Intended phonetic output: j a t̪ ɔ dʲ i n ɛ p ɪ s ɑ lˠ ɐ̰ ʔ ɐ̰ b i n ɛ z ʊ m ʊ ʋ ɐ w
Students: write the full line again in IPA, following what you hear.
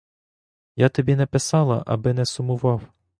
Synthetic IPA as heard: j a t̪ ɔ bʲ i n ɛ p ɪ s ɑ lˠ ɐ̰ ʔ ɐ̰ b ɪ n ɛ s ʊ m ʊ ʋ ɑ w

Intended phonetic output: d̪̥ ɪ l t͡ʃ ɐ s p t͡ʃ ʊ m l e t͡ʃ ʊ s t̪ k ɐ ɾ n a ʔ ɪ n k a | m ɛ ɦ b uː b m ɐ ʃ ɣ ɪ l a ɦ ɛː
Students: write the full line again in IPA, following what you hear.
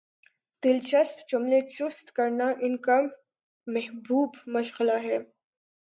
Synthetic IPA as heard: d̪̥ ɪ l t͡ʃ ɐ s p t͡ʃ ʊ m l e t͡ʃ ʊ s t̪ k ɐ ɾ n a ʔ ɪ n k a | m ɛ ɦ b uː b m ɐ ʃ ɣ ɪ l a ɦ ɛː

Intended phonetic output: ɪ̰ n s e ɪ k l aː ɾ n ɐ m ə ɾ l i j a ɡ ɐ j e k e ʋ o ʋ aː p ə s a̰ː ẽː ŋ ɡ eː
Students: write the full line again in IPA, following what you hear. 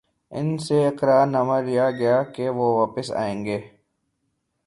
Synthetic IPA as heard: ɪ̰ n s e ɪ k ɾ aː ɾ n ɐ m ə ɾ l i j a ɡ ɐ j a k e ʋ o ʋ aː p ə s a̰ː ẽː ŋ ɡ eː

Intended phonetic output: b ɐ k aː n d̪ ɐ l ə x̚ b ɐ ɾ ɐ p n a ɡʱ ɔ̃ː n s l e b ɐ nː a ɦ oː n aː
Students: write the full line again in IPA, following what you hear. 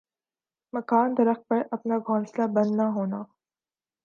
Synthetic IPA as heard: m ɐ k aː n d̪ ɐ ɾ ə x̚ p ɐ ɾ ɐ p n a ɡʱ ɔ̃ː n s l a b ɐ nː a ɦ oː n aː

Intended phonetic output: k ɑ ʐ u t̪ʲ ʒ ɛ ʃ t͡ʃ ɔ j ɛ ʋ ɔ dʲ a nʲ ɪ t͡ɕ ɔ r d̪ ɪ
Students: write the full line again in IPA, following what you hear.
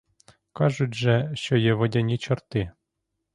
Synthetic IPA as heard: k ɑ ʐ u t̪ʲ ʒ ɛ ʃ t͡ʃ ɔ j ɛ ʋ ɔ dʲ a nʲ i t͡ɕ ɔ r t̪ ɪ

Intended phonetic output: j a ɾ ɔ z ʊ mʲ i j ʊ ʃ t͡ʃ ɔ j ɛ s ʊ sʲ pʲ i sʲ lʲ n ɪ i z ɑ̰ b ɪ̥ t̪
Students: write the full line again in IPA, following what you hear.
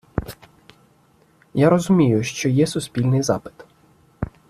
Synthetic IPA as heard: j a ɾ ɔ z ʊ mʲ i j ʊ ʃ t͡ʃ ɔ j ɛ s ʊ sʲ pʲ i lʲ n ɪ j z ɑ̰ p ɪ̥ t̪

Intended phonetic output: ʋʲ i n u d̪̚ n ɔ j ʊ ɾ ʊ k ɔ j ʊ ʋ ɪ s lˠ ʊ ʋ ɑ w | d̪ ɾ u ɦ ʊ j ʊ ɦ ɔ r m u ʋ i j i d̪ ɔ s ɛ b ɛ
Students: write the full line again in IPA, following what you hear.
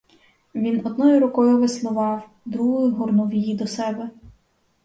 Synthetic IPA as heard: ʋʲ i n ɔ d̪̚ n ɔ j ʊ ɾ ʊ k ɔ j ʊ ʋ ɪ s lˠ ʊ ʋ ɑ w | d̪ ɾ u ɦ ʊ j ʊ ɦ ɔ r n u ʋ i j i d̪ ɔ s ɛ b ɛ

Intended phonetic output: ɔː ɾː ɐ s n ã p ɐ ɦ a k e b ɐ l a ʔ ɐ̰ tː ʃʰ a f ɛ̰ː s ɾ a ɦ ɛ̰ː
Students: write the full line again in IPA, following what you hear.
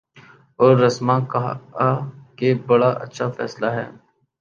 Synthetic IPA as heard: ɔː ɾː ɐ s m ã k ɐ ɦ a k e b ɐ ɽ a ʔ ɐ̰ tː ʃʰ a f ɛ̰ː s l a ɦ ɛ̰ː

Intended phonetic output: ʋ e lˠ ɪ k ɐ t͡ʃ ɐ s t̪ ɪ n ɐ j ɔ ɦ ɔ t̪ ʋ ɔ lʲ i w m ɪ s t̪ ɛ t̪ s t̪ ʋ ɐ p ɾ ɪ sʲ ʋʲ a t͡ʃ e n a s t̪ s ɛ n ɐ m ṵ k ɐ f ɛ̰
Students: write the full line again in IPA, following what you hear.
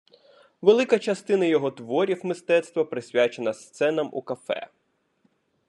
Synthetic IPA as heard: ʋ e lˠ ɪ k ɐ t͡ʃ ɐ s t̪ ɪ n ɐ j ɔ ɦ ɔ t̪ ʋ ɔ ɾʲ i w m ɪ s t̪ ɛ t̪ s t̪ ʋ ɐ p ɾ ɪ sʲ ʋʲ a t͡ʃ e n ɐ s t̪ s ɛ n ɐ m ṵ k ɐ f ɛ̰

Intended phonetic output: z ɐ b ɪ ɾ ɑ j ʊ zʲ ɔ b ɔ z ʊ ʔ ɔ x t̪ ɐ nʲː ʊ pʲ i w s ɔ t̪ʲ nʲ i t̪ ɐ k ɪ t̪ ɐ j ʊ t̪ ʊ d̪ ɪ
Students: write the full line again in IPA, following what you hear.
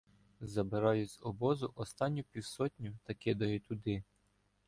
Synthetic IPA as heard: z ɐ b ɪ ɾ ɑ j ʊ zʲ ɔ b ɔ z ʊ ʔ ɔ s t̪ ɑ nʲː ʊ pʲ i w s ɔ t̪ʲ nʲ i t̪ ɐ k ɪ d̪ ɐ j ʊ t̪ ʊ d̪ ɪ

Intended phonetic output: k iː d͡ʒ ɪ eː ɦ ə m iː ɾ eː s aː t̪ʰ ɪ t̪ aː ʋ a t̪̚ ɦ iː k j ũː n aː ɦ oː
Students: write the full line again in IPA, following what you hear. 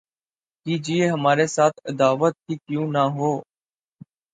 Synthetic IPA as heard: k iː d͡ʒ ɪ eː ɦ ə m aː ɾ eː s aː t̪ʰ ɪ d̪ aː ʋ ə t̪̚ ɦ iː k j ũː n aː ɦ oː

